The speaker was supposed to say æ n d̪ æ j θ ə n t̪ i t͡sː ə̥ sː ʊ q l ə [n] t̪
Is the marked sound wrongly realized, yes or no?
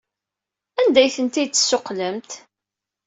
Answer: yes